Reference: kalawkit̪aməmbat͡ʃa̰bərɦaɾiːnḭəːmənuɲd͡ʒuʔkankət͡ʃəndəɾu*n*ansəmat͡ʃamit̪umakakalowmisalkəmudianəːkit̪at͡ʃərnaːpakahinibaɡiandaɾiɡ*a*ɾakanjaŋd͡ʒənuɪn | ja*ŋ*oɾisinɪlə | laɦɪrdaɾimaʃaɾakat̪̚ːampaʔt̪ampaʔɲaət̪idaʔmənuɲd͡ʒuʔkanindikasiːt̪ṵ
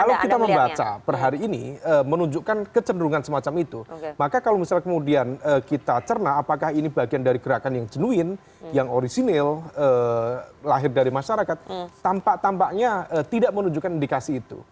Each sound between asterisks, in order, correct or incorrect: incorrect: ŋ, incorrect: ə, correct

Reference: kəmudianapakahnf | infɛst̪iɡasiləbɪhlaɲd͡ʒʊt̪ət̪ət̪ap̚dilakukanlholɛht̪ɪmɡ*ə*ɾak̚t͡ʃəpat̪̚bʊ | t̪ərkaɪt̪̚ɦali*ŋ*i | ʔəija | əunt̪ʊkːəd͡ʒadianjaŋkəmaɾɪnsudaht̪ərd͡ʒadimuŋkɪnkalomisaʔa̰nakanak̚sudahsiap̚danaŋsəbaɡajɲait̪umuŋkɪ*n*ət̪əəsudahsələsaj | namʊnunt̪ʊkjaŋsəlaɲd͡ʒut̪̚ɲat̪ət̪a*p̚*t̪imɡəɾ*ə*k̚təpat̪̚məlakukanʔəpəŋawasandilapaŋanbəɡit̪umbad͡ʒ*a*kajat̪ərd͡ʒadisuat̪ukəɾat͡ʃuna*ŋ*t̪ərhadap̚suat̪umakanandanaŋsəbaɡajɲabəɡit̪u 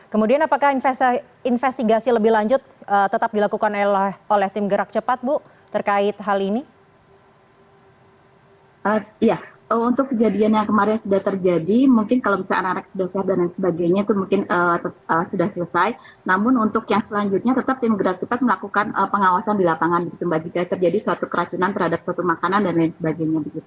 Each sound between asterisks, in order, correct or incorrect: correct, incorrect: n, correct, correct, incorrect: a, incorrect: i, incorrect: n

